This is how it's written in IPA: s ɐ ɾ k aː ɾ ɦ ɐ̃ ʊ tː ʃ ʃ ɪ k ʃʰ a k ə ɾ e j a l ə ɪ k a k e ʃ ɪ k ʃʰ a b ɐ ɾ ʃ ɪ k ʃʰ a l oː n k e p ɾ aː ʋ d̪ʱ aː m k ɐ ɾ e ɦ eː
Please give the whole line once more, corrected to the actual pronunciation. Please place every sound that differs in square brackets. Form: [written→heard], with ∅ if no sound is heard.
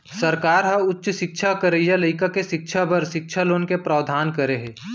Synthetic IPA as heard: s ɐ ɾ k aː ɾ ɦ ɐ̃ ʊ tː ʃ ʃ ɪ k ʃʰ a k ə ɾ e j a l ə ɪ k a k e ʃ ɪ k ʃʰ a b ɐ ɾ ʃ ɪ k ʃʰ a l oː n k e p ɾ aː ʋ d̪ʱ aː [m→n] k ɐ ɾ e ɦ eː